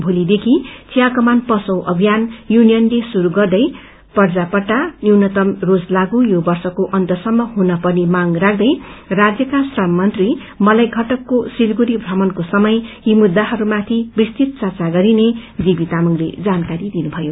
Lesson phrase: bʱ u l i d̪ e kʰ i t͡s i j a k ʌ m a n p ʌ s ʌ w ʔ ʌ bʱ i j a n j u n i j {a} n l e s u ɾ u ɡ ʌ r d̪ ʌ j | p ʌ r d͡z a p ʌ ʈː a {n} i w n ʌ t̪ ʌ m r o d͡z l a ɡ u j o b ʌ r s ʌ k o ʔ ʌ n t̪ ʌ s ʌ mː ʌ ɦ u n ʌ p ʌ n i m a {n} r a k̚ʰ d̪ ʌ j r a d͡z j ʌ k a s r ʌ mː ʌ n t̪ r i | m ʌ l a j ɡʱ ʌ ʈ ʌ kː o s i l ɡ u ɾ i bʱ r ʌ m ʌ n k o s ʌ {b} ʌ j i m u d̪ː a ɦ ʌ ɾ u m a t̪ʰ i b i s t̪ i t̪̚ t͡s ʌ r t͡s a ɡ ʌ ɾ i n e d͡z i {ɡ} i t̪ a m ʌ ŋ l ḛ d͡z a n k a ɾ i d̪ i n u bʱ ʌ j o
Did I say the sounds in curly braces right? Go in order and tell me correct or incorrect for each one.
incorrect, correct, incorrect, incorrect, incorrect

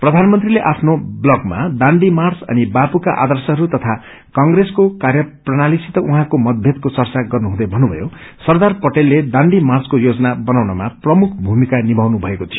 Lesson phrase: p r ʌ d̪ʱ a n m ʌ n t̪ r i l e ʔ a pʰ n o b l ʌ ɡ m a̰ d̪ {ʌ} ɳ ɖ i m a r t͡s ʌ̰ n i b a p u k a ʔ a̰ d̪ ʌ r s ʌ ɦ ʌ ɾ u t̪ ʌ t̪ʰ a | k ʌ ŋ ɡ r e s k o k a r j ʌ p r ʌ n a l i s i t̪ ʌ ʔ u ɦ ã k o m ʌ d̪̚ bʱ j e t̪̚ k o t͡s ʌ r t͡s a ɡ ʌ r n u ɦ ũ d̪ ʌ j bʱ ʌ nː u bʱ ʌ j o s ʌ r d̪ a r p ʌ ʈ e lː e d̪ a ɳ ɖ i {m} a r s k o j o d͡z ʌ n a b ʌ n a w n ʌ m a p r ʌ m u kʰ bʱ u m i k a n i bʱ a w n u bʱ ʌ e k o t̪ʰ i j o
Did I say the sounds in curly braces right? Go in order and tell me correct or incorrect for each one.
incorrect, correct

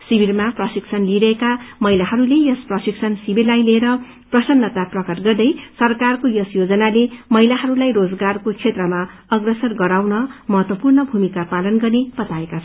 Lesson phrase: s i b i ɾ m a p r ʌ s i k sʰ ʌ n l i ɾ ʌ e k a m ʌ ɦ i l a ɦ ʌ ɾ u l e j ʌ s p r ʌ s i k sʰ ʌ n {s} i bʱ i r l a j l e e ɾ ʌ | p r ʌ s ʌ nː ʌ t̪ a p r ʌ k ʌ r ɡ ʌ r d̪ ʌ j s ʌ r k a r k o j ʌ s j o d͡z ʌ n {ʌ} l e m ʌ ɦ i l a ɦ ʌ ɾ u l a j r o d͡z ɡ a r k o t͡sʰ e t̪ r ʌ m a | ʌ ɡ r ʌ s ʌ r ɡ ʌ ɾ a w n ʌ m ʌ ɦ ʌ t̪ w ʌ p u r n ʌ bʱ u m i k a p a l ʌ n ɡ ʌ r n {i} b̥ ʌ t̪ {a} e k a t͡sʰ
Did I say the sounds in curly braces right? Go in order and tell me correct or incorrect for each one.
correct, incorrect, incorrect, correct

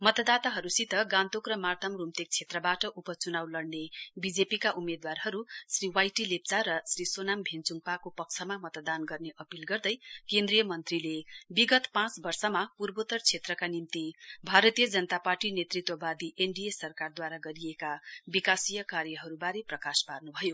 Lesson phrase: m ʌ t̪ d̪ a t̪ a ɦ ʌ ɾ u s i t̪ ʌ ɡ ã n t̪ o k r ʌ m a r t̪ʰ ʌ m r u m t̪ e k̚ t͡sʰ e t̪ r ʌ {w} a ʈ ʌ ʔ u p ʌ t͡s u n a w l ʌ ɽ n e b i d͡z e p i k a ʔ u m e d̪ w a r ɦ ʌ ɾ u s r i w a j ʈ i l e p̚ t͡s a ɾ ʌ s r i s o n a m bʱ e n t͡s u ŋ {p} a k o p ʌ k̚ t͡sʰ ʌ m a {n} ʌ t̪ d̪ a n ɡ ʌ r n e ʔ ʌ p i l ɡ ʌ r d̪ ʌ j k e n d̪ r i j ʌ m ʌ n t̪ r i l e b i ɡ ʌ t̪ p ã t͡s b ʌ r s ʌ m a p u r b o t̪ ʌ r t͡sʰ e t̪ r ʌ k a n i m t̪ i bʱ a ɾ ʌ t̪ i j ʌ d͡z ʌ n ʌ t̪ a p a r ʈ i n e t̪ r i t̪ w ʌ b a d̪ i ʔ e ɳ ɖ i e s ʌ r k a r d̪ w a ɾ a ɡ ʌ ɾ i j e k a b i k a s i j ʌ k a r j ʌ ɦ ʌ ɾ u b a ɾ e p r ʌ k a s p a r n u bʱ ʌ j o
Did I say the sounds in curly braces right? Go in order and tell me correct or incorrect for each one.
incorrect, correct, incorrect

